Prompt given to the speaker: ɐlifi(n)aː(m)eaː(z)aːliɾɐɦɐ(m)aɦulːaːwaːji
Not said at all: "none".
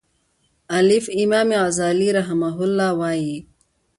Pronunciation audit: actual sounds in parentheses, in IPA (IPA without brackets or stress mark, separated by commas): m, m, z, m